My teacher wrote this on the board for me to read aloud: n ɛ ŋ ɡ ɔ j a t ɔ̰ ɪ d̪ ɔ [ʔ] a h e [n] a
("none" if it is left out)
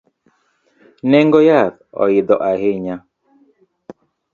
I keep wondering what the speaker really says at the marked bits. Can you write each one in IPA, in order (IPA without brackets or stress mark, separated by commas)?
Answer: ʔ, ɲ